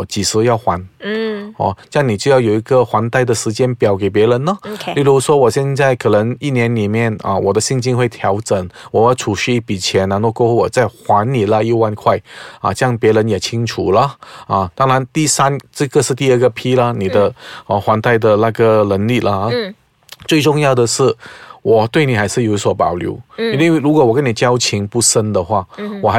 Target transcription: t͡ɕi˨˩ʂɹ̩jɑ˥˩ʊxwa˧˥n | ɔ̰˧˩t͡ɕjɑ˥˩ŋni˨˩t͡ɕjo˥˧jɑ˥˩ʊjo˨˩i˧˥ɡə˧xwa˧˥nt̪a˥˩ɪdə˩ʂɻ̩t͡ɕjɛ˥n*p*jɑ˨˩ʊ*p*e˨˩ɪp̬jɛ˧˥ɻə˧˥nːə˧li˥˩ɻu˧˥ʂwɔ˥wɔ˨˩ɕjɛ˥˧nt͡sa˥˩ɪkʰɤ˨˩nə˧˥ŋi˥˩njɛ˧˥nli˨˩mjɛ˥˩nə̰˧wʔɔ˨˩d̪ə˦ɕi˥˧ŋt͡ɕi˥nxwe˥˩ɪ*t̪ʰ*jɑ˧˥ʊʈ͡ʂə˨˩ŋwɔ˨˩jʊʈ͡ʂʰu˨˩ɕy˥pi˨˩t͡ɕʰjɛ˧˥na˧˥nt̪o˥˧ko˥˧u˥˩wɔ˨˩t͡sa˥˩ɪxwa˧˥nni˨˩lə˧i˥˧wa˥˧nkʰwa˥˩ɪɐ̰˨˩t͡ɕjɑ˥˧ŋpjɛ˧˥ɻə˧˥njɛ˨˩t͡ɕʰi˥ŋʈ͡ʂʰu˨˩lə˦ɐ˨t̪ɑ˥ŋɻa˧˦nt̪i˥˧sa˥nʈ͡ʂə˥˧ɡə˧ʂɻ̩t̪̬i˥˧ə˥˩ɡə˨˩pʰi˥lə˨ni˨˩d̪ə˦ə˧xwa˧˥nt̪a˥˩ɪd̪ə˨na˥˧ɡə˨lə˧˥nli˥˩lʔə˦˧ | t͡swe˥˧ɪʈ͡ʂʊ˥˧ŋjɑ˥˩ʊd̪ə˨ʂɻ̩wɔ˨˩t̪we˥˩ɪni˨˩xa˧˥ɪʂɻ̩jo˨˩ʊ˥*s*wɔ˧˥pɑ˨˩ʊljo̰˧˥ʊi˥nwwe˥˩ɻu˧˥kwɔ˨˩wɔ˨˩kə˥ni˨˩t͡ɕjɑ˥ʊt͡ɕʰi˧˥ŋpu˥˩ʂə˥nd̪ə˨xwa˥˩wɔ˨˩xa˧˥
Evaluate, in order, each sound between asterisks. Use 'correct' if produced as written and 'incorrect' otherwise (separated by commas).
correct, incorrect, correct, correct